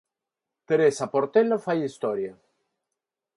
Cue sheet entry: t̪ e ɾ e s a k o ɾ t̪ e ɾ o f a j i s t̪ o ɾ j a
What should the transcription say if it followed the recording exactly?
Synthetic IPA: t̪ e ɾ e s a p o ɾ t̪ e l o f a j i s t̪ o ɾ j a